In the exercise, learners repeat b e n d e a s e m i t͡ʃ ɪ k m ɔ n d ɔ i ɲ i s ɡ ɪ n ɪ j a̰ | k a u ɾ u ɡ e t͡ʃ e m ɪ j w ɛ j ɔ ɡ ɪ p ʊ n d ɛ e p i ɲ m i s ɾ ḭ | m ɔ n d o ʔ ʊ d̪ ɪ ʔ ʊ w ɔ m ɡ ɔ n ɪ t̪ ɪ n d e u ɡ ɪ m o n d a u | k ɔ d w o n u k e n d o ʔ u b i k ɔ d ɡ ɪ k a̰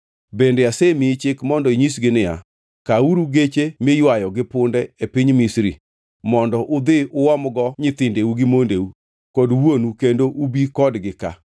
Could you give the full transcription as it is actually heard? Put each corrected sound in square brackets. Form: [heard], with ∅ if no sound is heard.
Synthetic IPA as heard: b e n d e a s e m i t͡ʃ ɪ k m ɔ n d ɔ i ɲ i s ɡ ɪ n ɪ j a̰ | k a u ɾ u ɡ e t͡ʃ e m ɪ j w [a] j ɔ ɡ ɪ p ʊ n d ɛ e p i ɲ m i s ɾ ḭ | m ɔ n d [ɔ] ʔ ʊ d̪ ɪ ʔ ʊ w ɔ m ɡ ɔ [ɲ] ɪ t̪ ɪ n d e u ɡ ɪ m o n d [e] u | k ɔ d w o n u k e n d o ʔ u b i k ɔ d ɡ ɪ k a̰